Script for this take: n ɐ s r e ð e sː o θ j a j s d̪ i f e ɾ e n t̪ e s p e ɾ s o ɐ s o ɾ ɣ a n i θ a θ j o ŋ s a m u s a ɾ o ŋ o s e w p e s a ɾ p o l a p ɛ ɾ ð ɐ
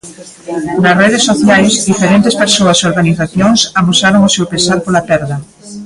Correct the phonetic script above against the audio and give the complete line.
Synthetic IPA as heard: n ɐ s r e ð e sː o θ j a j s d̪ i f e ɾ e n t̪ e s p e ɾ s o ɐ s o ɾ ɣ a n i θ a θ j o ŋ s a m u s a ɾ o ŋ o s e w p e s a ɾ p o l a p ɛ ɾ ð ɐ